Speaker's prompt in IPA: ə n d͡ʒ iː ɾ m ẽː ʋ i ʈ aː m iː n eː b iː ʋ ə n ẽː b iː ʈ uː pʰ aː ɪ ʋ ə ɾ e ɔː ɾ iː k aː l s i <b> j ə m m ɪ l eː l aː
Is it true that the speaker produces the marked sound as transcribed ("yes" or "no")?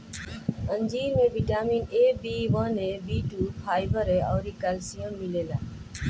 no